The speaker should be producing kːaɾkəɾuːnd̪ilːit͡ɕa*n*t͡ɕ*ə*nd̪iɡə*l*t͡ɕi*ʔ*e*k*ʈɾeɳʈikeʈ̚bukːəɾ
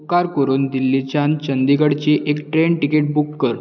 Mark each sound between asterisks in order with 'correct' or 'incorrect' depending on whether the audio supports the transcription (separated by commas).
correct, correct, incorrect, correct, correct